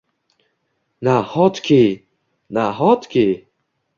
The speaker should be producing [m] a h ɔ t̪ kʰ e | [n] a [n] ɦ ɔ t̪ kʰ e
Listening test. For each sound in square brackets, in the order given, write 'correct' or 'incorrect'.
incorrect: n, correct, incorrect: none

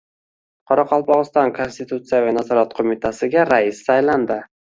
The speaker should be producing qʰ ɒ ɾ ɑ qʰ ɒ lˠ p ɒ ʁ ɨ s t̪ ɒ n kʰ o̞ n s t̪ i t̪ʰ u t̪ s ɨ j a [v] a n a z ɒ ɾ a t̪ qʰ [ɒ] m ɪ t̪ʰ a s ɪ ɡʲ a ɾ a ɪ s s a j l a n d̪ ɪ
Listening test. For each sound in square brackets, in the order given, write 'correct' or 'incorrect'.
correct, incorrect: o

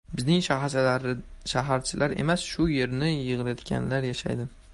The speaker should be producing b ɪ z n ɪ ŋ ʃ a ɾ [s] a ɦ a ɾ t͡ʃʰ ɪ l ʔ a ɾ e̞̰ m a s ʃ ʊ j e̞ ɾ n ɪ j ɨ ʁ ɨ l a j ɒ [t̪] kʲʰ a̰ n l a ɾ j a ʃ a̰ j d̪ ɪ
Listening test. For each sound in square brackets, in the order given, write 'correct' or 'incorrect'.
incorrect: ʃ, correct

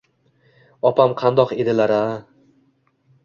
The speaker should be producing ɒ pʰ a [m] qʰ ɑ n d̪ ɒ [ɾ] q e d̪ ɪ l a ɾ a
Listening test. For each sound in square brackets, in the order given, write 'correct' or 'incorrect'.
correct, incorrect: none

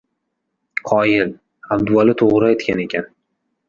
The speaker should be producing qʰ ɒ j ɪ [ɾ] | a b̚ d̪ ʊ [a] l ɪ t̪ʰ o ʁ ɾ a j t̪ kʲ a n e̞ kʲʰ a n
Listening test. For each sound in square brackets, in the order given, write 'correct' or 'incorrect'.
incorrect: l, correct

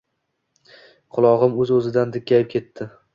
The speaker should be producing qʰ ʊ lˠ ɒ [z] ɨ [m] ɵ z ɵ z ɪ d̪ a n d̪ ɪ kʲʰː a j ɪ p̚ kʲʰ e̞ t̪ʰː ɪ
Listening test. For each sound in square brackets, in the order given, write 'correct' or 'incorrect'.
incorrect: ʁ, correct

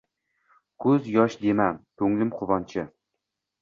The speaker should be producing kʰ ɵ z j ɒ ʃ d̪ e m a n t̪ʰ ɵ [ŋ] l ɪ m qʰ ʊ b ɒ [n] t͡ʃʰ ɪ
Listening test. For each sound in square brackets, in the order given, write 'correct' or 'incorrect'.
correct, correct

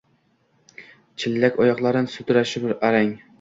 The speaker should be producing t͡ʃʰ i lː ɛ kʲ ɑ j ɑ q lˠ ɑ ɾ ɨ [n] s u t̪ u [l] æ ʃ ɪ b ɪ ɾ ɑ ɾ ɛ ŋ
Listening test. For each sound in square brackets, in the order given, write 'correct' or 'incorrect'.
correct, incorrect: ɾ

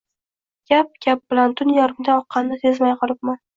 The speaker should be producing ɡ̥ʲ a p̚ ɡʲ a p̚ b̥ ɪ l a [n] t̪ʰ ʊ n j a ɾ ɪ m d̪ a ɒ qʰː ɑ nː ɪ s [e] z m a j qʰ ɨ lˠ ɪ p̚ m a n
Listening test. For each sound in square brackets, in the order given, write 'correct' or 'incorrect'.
correct, correct

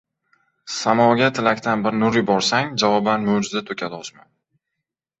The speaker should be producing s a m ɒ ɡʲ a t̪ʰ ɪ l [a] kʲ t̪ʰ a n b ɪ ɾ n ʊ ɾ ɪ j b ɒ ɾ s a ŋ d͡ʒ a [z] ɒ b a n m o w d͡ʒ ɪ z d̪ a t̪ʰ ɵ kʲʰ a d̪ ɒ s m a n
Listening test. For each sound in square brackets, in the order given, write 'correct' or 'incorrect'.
correct, incorrect: v

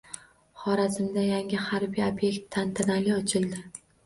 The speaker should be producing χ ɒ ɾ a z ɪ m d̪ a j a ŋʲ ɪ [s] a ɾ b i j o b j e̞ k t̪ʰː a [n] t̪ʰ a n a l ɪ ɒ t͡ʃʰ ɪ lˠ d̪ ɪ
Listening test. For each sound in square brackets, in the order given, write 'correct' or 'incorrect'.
incorrect: h, correct

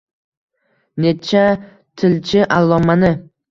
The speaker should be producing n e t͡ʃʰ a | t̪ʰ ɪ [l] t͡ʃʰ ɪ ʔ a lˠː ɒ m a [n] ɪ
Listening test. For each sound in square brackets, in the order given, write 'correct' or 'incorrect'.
correct, correct

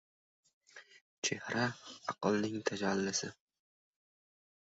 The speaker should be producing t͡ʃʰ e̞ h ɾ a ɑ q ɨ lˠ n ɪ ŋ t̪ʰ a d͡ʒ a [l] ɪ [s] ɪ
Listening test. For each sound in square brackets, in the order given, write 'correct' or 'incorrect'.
incorrect: lː, correct

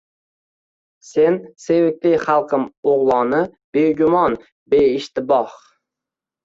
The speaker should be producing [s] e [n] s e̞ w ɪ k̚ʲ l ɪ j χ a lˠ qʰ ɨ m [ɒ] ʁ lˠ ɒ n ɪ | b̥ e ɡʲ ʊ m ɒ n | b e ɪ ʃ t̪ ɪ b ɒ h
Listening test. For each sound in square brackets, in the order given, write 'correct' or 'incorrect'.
correct, correct, incorrect: o

